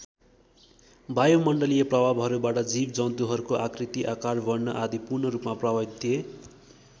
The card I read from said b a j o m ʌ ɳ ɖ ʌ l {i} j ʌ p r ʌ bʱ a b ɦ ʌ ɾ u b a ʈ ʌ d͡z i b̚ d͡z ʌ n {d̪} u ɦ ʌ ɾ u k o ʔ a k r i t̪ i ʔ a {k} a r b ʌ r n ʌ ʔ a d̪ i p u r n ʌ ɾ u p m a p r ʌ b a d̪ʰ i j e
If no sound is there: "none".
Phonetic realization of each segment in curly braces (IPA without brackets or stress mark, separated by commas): i, t̪, k